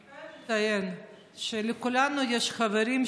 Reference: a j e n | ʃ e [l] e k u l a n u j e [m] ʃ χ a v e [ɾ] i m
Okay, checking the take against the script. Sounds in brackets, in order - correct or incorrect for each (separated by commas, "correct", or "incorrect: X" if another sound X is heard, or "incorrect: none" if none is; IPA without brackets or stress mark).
correct, incorrect: none, correct